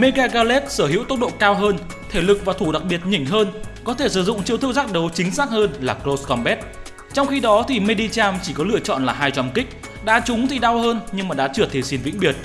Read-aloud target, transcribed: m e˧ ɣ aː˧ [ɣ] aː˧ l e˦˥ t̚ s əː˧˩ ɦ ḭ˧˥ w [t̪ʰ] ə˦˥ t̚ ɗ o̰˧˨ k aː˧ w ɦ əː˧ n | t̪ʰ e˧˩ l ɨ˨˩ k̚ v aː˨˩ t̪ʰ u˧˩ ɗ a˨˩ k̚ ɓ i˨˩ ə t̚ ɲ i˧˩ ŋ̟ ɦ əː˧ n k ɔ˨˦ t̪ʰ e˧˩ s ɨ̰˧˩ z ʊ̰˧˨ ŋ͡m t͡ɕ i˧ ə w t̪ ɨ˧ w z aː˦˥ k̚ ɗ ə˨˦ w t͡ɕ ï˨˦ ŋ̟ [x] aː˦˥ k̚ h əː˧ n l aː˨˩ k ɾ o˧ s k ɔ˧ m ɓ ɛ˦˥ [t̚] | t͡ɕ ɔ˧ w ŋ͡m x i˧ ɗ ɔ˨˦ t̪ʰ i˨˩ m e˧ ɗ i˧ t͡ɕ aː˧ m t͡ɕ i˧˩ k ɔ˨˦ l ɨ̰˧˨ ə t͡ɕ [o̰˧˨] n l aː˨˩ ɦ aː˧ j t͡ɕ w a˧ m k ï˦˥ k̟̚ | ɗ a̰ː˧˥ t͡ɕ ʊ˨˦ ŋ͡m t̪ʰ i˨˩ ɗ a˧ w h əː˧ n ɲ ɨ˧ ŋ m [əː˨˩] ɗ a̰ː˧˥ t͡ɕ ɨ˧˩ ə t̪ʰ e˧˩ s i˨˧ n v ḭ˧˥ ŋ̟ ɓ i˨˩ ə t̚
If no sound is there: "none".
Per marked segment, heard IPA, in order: ɣ, t̪, s, t̚, ɔ̰˧˨, aː˨˩

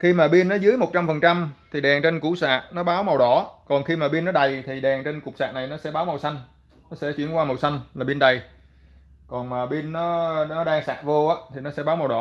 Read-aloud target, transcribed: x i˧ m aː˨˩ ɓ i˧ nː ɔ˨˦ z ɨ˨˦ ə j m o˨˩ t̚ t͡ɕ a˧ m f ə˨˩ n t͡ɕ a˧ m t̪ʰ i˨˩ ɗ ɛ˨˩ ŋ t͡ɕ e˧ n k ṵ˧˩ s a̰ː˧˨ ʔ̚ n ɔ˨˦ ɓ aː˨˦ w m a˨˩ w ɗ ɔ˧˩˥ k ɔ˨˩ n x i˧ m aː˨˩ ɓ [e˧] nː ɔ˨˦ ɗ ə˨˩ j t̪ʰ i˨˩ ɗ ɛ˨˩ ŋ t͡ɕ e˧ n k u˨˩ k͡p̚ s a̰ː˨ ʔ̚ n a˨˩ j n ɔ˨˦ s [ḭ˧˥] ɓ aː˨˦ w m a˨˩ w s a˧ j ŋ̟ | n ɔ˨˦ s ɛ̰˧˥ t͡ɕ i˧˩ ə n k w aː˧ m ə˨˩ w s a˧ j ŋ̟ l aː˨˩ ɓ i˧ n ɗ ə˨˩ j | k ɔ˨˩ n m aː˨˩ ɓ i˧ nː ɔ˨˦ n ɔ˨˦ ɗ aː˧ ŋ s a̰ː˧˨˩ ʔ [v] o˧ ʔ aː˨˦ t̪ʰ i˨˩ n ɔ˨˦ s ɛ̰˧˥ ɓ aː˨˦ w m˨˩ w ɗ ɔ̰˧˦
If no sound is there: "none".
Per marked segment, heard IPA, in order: i˧, ɛ̰˧˥, v

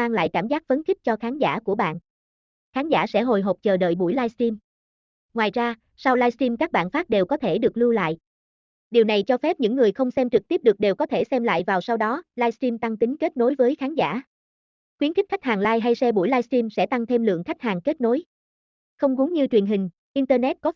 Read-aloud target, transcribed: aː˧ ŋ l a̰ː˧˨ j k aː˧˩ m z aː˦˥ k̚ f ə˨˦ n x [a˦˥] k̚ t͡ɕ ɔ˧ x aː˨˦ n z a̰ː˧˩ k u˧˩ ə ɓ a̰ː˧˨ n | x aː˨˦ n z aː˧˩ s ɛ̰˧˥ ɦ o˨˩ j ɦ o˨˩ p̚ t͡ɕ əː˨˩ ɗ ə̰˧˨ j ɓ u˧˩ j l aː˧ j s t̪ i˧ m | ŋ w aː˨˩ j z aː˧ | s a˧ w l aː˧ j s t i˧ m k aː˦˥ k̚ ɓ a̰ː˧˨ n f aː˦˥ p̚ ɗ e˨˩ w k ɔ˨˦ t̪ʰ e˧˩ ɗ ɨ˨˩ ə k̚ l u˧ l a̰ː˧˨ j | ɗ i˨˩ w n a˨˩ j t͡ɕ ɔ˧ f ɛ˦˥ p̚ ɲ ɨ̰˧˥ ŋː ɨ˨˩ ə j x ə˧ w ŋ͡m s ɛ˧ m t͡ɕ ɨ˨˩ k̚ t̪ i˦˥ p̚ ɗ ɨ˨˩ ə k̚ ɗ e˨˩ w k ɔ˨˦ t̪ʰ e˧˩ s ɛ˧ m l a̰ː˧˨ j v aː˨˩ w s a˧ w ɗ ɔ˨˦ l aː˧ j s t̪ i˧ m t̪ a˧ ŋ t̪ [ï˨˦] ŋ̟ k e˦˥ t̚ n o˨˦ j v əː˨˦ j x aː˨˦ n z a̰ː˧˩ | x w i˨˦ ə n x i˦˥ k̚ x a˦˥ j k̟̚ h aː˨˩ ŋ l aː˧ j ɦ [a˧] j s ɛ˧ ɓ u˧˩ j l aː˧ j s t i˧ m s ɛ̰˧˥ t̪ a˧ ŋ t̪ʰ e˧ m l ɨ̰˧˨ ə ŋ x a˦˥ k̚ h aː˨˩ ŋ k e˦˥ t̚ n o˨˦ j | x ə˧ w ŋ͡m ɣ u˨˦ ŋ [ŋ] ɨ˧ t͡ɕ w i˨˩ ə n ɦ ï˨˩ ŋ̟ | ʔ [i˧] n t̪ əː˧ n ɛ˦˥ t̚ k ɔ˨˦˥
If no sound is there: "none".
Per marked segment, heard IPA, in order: i˦˥, ï˨˦, a˧, ɲ, i˧

